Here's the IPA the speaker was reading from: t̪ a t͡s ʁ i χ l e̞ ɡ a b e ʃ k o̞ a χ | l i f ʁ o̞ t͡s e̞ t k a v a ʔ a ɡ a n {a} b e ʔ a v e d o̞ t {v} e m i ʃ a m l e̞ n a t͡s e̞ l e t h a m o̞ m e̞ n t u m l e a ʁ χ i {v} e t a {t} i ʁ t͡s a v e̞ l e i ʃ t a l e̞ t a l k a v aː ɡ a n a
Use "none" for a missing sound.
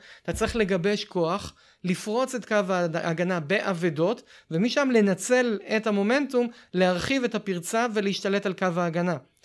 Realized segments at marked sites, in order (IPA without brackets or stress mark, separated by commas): a, v, v, p